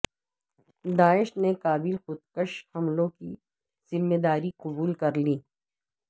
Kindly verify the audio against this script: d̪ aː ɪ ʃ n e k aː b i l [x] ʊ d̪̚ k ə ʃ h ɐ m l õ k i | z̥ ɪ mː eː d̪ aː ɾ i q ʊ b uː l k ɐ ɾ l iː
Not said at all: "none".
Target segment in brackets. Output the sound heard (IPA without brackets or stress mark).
x